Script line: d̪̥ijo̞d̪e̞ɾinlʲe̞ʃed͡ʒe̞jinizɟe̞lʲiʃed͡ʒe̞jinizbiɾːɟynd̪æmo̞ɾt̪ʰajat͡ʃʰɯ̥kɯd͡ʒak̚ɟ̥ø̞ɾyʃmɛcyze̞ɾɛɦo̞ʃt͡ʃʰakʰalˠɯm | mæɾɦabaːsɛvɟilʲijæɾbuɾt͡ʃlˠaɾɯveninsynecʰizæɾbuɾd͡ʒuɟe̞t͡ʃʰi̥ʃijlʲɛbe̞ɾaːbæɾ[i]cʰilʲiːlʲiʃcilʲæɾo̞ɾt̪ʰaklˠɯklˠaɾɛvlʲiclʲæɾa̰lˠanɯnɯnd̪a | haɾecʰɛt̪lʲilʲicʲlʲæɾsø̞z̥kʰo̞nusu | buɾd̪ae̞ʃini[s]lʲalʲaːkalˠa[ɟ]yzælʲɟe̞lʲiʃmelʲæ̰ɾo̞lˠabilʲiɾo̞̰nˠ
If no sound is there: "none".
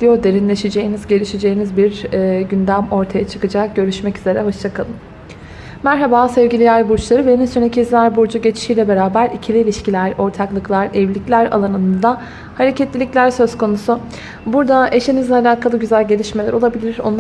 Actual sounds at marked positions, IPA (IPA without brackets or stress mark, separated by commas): i, z, ɟ